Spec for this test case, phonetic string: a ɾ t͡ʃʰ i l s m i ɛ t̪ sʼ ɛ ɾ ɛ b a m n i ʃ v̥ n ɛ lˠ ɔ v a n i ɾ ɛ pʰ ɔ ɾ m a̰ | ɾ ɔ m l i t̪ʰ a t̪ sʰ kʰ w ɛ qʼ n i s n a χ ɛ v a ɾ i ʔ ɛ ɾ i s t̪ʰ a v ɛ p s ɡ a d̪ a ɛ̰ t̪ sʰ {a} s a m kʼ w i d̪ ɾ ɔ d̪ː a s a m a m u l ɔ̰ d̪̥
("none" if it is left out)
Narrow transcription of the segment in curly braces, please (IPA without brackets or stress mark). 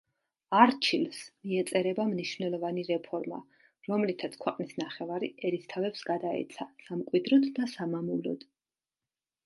a